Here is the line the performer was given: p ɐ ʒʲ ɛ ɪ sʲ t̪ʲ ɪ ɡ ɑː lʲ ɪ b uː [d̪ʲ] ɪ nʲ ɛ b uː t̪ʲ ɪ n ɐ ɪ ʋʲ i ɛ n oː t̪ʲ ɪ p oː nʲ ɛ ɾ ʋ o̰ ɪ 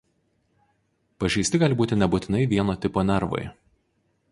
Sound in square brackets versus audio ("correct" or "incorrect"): incorrect